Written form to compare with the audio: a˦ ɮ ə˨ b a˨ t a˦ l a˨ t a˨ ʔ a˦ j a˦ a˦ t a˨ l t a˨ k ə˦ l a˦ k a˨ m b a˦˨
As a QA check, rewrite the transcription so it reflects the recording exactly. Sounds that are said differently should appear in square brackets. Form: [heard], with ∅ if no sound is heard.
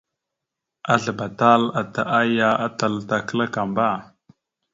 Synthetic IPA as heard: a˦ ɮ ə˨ b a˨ t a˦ l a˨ t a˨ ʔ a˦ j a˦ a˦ t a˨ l t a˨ k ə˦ l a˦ k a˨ m b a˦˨